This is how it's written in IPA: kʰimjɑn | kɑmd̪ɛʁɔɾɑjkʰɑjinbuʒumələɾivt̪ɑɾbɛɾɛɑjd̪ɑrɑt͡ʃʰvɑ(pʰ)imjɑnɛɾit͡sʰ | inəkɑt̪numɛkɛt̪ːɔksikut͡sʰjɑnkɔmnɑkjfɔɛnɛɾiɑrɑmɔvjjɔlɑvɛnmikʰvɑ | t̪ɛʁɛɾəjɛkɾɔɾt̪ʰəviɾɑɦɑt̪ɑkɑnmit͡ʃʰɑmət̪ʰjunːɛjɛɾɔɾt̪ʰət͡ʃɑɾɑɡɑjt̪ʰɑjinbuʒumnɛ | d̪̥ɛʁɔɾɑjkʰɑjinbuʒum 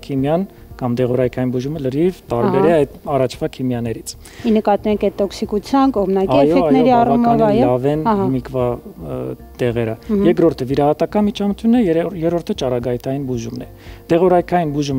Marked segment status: incorrect: kʰ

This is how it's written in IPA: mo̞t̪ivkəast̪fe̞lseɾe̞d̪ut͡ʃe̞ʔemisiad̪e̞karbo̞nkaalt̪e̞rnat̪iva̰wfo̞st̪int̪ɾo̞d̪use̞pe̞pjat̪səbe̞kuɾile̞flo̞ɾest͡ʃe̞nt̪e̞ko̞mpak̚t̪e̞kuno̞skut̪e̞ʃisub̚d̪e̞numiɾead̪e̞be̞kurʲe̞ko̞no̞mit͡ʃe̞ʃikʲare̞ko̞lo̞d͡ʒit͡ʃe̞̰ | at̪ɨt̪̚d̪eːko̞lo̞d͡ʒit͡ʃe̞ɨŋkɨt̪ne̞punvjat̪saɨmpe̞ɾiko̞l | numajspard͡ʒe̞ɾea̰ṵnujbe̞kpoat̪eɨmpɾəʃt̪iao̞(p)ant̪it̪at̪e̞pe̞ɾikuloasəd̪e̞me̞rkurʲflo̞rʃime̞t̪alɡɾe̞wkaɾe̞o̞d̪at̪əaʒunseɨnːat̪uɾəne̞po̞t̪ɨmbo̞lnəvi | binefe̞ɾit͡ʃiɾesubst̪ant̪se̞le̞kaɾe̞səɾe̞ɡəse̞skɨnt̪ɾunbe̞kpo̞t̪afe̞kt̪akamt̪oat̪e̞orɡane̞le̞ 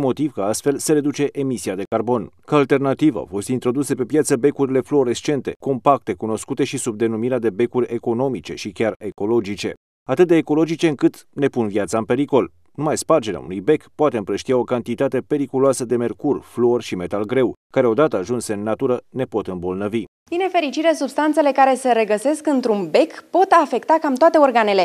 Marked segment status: incorrect: k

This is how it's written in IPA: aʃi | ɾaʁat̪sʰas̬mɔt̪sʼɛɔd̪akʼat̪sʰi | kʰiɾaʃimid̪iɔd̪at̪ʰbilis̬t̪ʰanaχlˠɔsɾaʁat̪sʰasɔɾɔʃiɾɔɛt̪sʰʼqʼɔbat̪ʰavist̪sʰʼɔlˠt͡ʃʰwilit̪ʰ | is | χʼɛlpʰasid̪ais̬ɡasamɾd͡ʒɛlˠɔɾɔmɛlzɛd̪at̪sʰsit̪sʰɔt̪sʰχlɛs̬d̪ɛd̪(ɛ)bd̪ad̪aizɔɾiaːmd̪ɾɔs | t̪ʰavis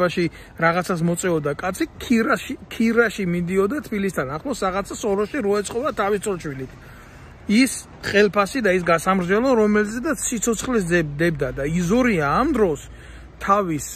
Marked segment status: correct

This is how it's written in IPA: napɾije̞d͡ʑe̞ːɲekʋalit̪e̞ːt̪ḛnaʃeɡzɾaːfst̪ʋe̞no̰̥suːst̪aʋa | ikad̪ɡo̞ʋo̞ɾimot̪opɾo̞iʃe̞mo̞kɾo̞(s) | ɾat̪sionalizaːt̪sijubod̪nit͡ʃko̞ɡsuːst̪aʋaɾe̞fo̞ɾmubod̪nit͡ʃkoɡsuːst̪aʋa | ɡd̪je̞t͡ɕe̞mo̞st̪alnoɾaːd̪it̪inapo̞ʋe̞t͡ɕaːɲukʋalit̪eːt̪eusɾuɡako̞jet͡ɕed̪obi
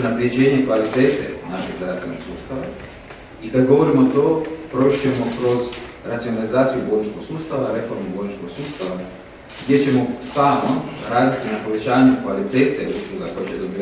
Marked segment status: incorrect: z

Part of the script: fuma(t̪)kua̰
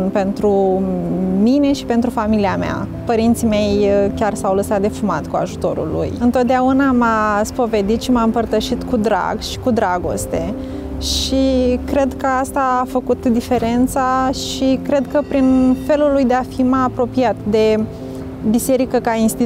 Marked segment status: correct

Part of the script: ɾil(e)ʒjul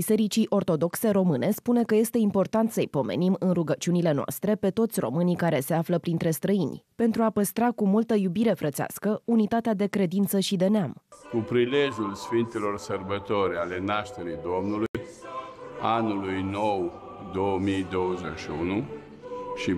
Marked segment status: correct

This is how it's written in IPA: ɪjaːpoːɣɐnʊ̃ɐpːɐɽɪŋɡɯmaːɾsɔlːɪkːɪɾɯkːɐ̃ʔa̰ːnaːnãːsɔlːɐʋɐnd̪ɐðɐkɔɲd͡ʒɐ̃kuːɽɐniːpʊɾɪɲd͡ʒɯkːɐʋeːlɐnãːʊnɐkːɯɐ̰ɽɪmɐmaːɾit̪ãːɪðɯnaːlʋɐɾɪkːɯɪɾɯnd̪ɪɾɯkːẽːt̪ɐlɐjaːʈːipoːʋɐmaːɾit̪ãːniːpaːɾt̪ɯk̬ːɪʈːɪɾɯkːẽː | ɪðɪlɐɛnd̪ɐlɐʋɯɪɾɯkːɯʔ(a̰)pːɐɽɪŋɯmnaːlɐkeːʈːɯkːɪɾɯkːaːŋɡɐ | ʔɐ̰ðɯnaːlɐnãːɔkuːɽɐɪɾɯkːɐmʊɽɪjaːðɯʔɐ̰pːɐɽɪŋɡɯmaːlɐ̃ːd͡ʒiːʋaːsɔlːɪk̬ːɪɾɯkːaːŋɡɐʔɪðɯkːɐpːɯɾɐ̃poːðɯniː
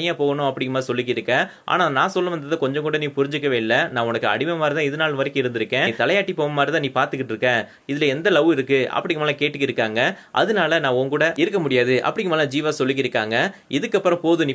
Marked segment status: incorrect: ɐ̰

